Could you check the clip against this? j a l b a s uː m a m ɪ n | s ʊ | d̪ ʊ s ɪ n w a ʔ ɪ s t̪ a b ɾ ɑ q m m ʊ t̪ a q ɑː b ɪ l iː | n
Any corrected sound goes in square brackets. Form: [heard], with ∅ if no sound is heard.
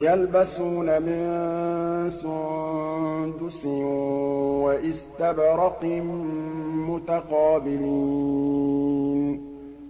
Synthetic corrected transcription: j a l b a s uː [n] a m ɪ n | s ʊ | d̪ ʊ s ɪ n w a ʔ ɪ s t̪ a b ɾ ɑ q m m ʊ t̪ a q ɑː b ɪ l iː | n